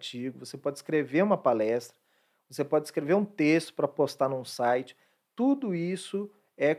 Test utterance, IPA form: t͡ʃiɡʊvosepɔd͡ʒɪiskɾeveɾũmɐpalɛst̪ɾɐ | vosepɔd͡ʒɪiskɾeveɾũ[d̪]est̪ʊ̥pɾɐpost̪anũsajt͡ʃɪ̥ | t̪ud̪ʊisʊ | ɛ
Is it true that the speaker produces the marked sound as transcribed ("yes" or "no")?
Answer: no